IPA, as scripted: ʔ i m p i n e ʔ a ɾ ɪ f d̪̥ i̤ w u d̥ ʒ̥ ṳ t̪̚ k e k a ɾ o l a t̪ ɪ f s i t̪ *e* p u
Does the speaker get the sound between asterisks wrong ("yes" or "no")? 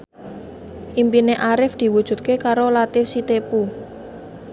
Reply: no